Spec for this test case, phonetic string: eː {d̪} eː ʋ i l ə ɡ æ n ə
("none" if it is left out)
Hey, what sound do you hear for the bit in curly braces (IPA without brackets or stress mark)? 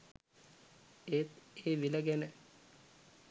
t̪